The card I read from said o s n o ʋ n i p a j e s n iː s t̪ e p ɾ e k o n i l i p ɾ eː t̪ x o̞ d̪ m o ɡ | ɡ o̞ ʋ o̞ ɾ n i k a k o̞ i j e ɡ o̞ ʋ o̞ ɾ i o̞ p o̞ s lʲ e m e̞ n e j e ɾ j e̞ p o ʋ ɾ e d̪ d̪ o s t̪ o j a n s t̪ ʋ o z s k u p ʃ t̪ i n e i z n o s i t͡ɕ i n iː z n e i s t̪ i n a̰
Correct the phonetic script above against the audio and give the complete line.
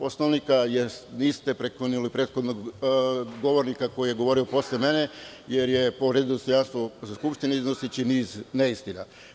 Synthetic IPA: o s n o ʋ n i k a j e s n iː s t̪ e p ɾ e k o n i l i p ɾ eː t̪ x o̞ d̪ n o ɡ | ɡ o̞ ʋ o̞ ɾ n i k a k o̞ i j e ɡ o̞ ʋ o̞ ɾ i o̞ p o̞ s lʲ e m e̞ n e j e ɾ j e̞ p o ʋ ɾ e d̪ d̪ o s t̪ o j a n s t̪ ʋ o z s k u p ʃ t̪ i n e i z n o s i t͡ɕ i n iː z n e i s t̪ i n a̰